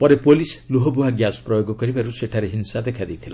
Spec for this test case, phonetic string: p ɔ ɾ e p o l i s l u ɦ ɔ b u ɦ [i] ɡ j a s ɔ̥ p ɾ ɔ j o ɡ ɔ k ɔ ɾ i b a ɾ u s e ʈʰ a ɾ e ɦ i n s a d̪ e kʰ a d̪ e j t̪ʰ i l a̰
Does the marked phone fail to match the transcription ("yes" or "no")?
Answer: yes